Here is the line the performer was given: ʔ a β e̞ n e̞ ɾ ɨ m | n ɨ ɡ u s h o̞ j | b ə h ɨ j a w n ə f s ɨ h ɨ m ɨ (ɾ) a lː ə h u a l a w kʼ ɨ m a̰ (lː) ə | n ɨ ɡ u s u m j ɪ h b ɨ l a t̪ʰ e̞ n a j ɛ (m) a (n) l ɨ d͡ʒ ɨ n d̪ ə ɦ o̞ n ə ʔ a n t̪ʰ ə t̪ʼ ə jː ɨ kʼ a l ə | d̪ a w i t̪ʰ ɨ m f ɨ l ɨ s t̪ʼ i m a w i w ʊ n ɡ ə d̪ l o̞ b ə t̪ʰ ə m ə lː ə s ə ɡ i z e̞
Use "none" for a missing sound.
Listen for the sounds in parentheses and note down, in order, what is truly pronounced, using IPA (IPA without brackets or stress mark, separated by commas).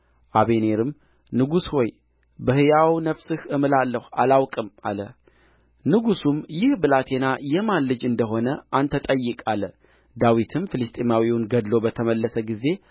l, l, m, n